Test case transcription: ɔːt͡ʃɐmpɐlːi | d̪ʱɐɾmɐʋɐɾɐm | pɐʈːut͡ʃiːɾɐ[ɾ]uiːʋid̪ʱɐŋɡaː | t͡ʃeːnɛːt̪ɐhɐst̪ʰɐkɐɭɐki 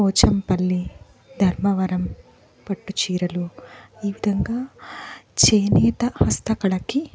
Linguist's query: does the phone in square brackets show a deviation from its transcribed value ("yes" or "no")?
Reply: yes